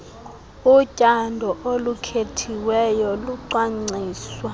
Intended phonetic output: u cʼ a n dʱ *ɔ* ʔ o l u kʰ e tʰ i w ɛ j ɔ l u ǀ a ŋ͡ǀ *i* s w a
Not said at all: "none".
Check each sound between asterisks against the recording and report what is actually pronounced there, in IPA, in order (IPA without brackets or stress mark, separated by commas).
ɔ, iː